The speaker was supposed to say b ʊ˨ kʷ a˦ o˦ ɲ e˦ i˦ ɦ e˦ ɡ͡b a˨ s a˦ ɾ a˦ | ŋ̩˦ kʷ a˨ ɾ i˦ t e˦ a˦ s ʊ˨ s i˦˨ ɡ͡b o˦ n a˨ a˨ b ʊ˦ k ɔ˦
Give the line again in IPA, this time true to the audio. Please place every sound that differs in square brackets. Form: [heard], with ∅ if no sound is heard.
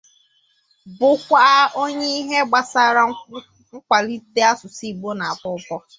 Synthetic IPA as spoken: b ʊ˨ kʷ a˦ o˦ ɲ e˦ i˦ ɦ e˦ ɡ͡b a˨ s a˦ ɾ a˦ | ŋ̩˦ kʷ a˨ [l] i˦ t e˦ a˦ s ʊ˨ s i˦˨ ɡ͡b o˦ n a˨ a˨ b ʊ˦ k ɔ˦